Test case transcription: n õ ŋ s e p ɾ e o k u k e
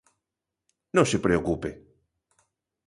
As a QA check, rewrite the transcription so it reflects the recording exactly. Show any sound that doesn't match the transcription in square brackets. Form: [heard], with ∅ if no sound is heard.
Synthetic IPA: n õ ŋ s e p ɾ e o k u [p] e